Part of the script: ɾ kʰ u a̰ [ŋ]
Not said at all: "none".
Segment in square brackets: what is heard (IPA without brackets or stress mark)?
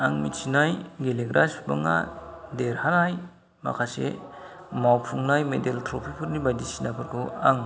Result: ŋ